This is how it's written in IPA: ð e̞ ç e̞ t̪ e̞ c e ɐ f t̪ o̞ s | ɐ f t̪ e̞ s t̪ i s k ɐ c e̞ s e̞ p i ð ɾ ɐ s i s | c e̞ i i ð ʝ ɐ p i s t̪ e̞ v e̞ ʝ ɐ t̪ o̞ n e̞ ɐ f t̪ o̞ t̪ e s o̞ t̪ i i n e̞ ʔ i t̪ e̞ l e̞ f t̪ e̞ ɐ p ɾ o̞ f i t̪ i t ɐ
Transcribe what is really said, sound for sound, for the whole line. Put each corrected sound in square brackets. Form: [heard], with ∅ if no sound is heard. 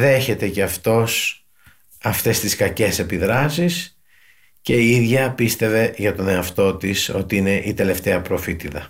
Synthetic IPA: ð e̞ ç e̞ t̪ e̞ c e ɐ f t̪ o̞ s | ɐ f t̪ e̞ s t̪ i s k ɐ c e̞ s e̞ p i ð ɾ ɐ s i s | c e̞ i i ð ʝ ɐ p i s t̪ e̞ v e̞ ʝ ɐ t̪ o̞ n e̞ ɐ f t̪ o̞ t̪ [i] s o̞ t̪ i i n e̞ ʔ i t̪ e̞ l e̞ f t̪ e̞ ɐ p ɾ o̞ f i t̪ i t ɐ